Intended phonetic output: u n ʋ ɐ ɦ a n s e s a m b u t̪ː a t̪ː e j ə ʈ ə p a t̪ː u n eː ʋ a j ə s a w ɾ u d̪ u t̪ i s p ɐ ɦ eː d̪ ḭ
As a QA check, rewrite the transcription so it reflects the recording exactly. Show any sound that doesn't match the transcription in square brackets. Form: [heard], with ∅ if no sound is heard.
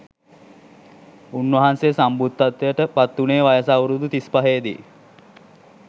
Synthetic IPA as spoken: u n ʋ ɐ ɦ a n s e s a m b u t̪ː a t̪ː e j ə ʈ ə p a t̪ː u n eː ʋ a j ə s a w ɾ u d̪ u t̪ i s p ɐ ɦ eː d̪ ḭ